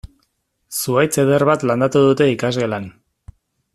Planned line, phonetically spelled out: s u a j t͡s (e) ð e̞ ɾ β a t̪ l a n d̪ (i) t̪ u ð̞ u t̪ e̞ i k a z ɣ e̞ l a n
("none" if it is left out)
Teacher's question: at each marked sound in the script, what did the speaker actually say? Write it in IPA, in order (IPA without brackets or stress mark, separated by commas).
e, a